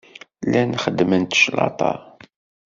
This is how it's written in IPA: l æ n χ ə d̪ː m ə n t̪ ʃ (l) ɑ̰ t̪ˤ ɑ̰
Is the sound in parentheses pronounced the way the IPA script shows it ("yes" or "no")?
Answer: yes